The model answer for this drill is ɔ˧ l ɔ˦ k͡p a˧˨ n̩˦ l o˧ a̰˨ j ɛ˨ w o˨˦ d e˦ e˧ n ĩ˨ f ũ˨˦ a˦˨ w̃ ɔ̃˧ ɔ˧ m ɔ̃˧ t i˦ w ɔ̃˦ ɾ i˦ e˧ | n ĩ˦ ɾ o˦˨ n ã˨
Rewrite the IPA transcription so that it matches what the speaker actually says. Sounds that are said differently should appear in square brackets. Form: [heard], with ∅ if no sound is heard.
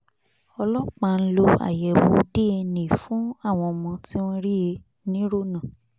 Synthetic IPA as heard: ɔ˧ l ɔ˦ k͡p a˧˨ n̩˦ l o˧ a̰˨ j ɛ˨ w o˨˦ d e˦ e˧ n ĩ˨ f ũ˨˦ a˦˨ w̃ ɔ̃˧ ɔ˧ m ɔ̃˧ t i˦ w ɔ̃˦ ɾ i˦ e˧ | n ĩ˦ ɾ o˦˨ n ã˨

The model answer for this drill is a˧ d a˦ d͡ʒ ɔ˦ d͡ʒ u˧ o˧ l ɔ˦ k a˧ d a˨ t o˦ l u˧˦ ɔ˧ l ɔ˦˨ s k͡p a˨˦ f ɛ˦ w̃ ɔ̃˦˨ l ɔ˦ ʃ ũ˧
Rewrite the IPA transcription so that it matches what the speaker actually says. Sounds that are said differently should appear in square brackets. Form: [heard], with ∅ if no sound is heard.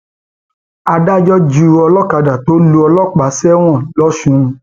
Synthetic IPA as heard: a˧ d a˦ d͡ʒ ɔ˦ d͡ʒ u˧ [ɔ˧] l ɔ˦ k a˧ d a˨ t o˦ l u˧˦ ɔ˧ l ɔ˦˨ [∅] k͡p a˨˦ [s] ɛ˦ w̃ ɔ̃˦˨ l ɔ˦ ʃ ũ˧

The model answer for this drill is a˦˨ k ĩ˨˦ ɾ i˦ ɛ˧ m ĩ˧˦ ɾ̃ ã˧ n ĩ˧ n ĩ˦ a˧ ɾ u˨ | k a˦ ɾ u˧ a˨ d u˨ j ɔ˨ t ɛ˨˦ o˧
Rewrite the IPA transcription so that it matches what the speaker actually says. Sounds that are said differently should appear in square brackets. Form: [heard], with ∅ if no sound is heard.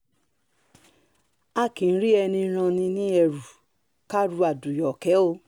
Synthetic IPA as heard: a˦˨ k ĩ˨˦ ɾ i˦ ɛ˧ [n] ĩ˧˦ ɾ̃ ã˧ n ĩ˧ n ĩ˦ [ɛ˧] ɾ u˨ | k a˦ ɾ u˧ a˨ d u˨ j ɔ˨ [k] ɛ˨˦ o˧

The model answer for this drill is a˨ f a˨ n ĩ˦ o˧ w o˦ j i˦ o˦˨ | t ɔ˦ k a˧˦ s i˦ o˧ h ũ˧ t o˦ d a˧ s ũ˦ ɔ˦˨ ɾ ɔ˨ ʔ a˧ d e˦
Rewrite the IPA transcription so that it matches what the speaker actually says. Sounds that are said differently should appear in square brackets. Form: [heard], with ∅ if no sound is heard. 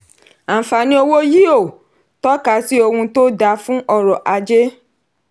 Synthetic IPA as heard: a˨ f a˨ n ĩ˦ o˧ w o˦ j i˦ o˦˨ | t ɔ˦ k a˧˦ s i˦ o˧ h ũ˧ t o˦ d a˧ [f] ũ˦ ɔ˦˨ ɾ ɔ˨ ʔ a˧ [d͡ʒ] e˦

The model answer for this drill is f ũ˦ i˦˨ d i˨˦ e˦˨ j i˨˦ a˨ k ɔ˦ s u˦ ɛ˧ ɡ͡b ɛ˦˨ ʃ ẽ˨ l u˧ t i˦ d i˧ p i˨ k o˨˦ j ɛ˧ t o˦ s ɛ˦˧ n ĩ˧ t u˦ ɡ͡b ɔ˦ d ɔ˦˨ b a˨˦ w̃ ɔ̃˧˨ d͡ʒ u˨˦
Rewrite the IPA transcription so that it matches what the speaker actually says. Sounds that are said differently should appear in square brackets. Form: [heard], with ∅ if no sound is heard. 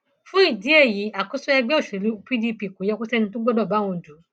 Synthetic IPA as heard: f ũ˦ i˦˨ d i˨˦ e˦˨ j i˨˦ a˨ k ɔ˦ s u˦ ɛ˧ ɡ͡b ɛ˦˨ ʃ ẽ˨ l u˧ [p] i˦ d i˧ p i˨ k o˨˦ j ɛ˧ [k] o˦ s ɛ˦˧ n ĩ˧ t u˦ ɡ͡b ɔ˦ d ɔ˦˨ b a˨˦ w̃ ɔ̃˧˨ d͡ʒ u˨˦

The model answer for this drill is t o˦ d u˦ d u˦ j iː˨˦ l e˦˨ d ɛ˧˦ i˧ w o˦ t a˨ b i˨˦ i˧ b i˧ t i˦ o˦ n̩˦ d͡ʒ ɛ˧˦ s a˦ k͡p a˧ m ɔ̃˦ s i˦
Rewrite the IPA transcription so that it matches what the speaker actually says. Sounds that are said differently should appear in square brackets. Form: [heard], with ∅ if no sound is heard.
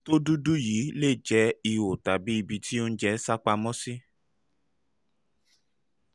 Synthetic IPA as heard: t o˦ d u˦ d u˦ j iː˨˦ l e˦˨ [d͡ʒ] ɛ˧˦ i˧ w [o˨] t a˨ b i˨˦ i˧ b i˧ t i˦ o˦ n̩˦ d͡ʒ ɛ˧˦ s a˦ k͡p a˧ m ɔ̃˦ s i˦

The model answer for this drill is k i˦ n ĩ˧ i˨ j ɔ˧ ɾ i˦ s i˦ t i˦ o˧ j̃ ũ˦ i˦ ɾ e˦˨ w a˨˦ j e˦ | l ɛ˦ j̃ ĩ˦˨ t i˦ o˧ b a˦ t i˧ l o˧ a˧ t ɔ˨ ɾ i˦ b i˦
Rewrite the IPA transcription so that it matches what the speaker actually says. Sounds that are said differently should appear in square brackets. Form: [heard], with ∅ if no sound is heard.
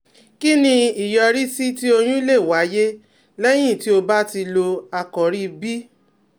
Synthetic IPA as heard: k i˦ n ĩ˧ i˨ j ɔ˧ ɾ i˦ s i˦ t i˦ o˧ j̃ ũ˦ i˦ [l] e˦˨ w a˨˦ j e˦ | l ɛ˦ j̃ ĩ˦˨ t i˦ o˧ b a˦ t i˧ l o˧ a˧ [k] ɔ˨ ɾ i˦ b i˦

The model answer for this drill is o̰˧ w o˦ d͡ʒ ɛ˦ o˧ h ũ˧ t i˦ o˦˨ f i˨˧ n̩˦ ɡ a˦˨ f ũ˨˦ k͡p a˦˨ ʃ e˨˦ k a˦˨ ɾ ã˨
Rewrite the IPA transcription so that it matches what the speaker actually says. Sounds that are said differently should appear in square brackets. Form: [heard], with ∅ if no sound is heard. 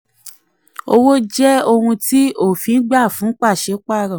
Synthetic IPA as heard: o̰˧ w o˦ d͡ʒ ɛ˦ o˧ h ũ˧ t i˦ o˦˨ f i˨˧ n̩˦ [ɡ͡b] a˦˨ f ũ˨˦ k͡p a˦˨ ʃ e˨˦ [k͡p] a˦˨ ɾ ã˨

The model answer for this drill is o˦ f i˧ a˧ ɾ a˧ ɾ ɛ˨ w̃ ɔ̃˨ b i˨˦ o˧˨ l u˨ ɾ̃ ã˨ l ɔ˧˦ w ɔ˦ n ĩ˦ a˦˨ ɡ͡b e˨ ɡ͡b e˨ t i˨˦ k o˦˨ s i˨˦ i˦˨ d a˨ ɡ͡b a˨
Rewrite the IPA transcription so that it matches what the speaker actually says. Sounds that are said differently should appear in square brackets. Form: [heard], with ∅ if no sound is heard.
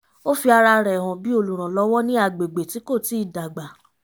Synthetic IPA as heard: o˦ f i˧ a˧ ɾ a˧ ɾ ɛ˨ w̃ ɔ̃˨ b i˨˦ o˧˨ l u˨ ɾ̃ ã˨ l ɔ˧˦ w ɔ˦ n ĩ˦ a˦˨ ɡ͡b e˨ ɡ͡b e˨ t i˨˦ k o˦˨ [t] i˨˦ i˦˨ d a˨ ɡ͡b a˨

